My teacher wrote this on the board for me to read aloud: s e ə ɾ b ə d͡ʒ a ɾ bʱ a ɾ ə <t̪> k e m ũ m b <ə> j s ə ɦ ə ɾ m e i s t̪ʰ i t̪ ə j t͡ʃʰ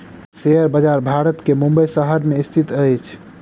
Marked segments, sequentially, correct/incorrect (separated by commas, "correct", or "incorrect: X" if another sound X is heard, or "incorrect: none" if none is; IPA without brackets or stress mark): correct, correct